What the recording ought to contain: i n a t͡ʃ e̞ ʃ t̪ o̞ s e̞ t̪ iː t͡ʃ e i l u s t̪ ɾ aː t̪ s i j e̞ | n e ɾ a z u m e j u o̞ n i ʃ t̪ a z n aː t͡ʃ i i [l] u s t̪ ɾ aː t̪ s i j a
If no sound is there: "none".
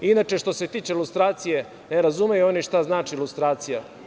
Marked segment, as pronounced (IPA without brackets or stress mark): l